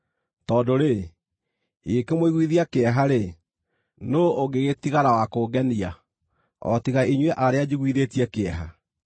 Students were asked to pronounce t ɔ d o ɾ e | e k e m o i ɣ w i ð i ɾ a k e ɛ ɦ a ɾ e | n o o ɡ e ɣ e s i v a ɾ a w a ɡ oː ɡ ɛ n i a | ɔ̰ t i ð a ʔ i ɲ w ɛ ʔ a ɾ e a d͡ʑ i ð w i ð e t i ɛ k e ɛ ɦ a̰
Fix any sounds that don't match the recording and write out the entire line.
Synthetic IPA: t ɔ d o ɾ e | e k e m o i ɣ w i ð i a k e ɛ ɦ a ɾ e | n o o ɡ e ɣ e t i ɣ a ɾ a w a k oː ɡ ɛ n i a | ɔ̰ t i ɣ a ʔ i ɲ w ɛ ʔ a ɾ e a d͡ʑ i ɣ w i ð e t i ɛ k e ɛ ɦ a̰

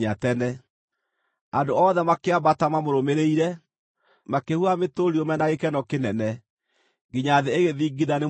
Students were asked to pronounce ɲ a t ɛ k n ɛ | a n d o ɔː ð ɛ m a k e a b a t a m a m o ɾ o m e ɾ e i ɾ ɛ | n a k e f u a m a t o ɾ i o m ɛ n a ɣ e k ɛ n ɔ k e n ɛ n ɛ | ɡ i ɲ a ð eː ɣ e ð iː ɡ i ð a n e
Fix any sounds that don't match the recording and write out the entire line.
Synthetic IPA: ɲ a t ɛ n ɛ | a n d o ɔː ð ɛ m a k e a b a t a m a m o ɾ o m e ɾ e i ɾ ɛ | m a k e h u a m e t o ɾ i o m ɛ n a ɣ e k ɛ n ɔ k e n ɛ n ɛ | ɡ i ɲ a ð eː ɣ e ð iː ɡ i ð a n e

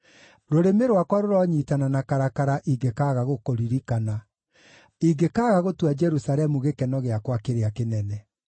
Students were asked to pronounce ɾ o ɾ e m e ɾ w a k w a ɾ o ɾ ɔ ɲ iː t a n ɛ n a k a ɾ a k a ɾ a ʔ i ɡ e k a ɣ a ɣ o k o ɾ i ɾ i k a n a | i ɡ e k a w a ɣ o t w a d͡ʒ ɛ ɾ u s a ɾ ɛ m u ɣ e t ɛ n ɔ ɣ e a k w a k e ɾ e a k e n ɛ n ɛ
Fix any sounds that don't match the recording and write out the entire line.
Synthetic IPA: ɾ o ɾ e m e ɾ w a k w a ɾ o ɾ ɔ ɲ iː t a n a n a k a ɾ a k a ɾ a ʔ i ɡ e k a ɣ a ɣ o k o ɾ i ɾ i k a n a | i ɡ e k a ɣ a ɣ o t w a d͡ʒ ɛ ɾ u s a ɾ ɛ m u ɣ e k ɛ n ɔ ɣ e a k w a k e ɾ e a k e n ɛ n ɛ

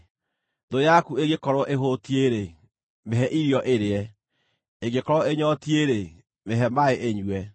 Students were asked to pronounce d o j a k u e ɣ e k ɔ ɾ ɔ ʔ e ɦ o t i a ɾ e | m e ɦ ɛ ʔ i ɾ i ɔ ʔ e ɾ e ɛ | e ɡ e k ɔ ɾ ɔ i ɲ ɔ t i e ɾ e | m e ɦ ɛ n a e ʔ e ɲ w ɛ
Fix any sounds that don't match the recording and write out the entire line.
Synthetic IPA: d o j a k u e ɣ e k ɔ ɾ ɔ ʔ e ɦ o t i e ɾ e | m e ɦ ɛ ʔ i ɾ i ɔ ʔ e ɾ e ɛ | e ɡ e k ɔ ɾ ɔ e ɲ ɔ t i e ɾ e | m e ɦ ɛ m a e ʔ e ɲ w ɛ

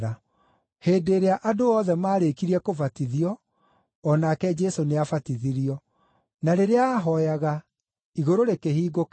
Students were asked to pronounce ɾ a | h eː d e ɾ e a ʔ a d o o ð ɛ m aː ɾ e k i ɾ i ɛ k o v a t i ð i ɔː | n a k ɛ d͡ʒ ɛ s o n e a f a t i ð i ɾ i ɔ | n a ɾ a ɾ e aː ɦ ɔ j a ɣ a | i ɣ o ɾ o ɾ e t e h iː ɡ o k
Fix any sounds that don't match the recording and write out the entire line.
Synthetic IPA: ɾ a | h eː d e ɾ e a ʔ a d o ɔ ð ɛ m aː ɾ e k i ɾ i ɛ k o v a t i ð i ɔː | n a k ɛ d͡ʒ ɛ s o n e a f a t i ð i ɾ i ɔ | n a ɾ e ɾ e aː ɦ ɔ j a ɣ a | i ɣ o ɾ o ɾ e k e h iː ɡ o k

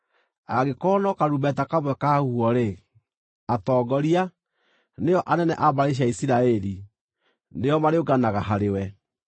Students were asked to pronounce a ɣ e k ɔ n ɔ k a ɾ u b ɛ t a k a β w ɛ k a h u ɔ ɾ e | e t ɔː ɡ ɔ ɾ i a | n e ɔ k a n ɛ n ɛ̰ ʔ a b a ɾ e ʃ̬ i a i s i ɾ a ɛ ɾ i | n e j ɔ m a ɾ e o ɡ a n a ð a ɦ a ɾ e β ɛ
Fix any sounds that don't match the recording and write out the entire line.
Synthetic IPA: a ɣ e k ɔ n ɔ k a ɾ u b ɛ t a k a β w ɛ k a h u ɔ ɾ e | a t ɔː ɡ ɔ ɾ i a | n e ɔ ʔ a n ɛ n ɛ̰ ʔ a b a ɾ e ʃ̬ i a i s i ɾ a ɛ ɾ i | n e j ɔ m a ɾ e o ɡ a n a ɣ a ɦ a ɾ e w ɛ

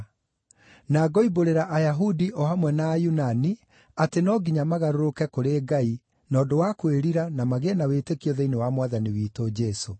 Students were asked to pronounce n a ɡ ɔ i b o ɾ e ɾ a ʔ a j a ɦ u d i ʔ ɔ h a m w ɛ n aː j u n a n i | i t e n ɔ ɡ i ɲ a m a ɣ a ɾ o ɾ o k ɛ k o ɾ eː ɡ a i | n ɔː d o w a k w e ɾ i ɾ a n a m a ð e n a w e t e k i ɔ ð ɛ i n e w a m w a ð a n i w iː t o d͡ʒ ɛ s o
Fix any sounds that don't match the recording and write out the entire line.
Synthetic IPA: n a ɡ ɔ i b o ɾ e ɾ a ʔ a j a ɦ u d i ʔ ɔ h a m w ɛ n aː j u n a n i | a t e n ɔ ɡ i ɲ a m a ɣ a ɾ o ɾ o k ɛ k o ɾ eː ɡ a i | n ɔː d o w a k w e ɾ i ɾ a n a m a ɣ e n a w e t e k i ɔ ð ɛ i n e w a m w a ð a n i w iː t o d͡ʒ ɛ s o

